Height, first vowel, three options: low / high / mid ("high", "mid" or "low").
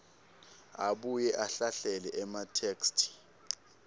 low